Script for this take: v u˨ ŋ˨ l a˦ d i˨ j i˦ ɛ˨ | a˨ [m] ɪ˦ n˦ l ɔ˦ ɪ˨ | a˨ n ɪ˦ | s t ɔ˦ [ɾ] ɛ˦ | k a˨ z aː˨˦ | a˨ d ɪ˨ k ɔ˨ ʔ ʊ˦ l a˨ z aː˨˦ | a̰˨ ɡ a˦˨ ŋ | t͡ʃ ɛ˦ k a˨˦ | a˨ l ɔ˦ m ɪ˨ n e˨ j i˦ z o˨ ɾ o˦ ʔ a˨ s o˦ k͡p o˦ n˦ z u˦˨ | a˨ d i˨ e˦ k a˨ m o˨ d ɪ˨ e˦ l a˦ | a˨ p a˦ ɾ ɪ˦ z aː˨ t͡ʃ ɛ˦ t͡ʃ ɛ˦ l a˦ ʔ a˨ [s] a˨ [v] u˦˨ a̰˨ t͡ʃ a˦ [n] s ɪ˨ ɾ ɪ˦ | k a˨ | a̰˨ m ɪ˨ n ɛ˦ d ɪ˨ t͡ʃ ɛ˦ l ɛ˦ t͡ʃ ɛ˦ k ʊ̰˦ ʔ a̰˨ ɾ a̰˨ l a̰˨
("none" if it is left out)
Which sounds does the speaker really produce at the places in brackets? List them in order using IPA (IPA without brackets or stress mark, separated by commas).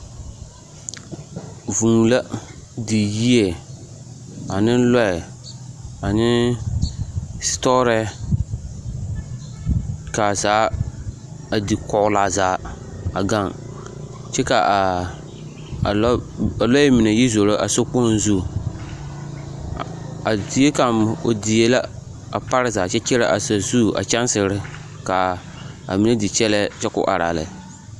n, ɾ, s, z, n